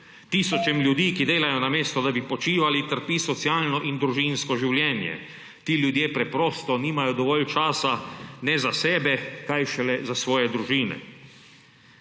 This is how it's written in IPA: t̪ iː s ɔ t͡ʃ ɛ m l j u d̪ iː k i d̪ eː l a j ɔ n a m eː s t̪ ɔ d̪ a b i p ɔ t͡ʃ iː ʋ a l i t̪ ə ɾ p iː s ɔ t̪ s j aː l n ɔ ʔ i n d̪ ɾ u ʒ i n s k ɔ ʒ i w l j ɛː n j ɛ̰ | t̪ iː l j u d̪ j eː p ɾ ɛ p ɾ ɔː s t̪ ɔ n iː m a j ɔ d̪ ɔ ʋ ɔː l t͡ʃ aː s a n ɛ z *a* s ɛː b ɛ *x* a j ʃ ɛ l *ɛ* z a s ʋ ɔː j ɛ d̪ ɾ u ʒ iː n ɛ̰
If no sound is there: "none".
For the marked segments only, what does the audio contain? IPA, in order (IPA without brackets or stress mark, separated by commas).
a, k, ɛ